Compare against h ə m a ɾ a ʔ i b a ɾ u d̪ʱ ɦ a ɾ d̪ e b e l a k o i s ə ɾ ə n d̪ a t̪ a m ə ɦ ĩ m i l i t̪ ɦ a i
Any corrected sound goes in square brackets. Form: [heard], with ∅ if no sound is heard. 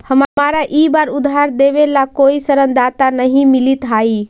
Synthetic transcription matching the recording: h ə m a ɾ a ʔ i b a ɾ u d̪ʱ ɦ a ɾ d̪ e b e l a k o i s ə ɾ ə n d̪ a t̪ a [n] ə ɦ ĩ m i l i t̪ ɦ a i